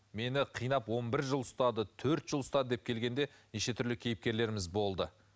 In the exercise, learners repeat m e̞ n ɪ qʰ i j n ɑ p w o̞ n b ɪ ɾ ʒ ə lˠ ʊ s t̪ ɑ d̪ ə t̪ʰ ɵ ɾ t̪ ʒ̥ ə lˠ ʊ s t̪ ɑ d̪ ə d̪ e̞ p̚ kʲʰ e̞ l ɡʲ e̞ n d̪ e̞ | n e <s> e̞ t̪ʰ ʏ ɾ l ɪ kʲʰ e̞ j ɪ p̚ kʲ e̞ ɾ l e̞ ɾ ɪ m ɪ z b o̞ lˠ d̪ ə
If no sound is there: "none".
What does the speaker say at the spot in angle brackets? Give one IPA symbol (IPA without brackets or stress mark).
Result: ʃ